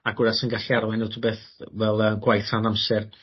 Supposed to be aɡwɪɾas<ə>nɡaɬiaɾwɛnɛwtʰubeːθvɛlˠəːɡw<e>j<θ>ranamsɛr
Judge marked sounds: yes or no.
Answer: yes, no, yes

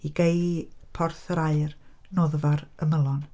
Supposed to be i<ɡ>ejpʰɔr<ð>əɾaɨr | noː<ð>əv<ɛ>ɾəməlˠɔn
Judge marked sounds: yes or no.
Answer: yes, no, yes, no

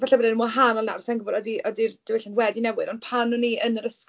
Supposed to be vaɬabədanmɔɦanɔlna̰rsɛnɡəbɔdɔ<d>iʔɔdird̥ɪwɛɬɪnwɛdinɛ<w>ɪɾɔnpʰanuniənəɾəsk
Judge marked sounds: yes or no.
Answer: yes, yes

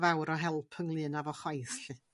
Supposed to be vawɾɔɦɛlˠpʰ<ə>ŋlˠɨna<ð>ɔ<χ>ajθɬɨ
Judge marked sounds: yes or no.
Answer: yes, no, yes

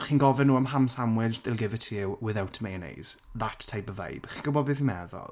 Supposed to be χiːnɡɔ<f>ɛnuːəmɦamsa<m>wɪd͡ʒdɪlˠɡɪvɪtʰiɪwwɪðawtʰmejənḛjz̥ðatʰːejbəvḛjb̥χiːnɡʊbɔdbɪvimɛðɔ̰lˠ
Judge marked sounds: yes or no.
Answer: no, yes

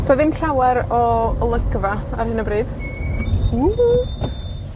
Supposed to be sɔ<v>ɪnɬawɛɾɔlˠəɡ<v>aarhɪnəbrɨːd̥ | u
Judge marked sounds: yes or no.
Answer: no, yes

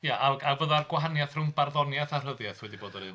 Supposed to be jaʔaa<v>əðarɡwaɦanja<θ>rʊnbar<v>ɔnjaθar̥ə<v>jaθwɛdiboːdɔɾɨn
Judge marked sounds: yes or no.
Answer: yes, yes, no, no

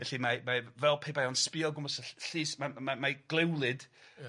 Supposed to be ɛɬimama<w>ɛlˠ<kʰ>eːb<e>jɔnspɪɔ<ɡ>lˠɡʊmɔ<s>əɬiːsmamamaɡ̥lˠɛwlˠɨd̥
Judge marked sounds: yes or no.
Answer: no, no, no, no, yes

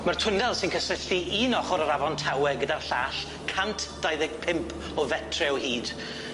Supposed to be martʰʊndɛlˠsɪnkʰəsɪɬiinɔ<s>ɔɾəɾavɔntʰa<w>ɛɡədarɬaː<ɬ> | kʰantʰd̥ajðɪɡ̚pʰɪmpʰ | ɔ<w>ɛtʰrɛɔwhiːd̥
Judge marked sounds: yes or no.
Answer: no, yes, yes, no

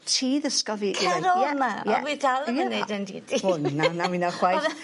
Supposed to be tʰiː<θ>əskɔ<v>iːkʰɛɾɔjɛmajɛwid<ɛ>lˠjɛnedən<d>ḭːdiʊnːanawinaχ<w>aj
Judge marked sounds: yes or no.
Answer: no, yes, no, yes, yes

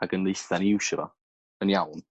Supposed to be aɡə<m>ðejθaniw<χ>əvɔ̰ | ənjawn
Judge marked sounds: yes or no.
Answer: no, no

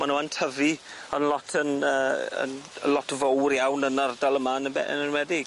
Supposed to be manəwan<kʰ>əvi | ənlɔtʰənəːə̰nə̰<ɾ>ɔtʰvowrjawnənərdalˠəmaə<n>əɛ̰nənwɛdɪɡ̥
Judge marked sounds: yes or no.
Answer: no, no, yes

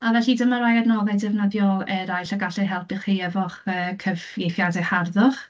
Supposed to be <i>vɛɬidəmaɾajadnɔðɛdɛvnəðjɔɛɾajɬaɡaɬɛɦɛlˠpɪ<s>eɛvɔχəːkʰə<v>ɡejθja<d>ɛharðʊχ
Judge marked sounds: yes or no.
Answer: no, no, yes, yes

